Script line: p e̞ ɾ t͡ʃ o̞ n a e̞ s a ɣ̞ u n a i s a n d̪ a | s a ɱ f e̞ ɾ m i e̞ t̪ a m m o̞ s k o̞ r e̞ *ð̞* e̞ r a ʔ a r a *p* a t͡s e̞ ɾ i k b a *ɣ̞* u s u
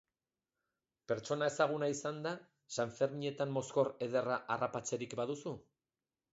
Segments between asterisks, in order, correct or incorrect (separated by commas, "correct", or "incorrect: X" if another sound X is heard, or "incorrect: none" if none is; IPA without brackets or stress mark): correct, correct, incorrect: ð̞